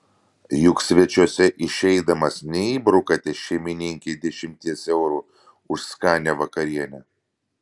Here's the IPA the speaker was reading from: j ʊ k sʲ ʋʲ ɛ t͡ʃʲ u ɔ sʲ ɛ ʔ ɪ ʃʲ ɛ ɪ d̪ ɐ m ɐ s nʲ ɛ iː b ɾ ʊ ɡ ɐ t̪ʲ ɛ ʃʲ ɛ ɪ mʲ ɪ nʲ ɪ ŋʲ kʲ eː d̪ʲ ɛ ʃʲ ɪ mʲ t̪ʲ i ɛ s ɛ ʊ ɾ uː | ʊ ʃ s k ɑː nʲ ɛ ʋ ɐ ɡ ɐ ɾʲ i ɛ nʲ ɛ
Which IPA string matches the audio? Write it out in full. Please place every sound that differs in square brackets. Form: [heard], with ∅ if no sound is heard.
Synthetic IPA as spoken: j ʊ k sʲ ʋʲ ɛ t͡ʃʲ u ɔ sʲ ɛ ʔ ɪ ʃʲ ɛ ɪ d̪ ɐ m ɐ s nʲ ɛ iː b ɾ ʊ [k] ɐ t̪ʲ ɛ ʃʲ ɛ ɪ mʲ ɪ nʲ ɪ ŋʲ kʲ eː d̪ʲ ɛ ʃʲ ɪ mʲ t̪ʲ i ɛ s ɛ ʊ ɾ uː | ʊ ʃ s k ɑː nʲ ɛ ʋ ɐ [k] ɐ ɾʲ i ɛ nʲ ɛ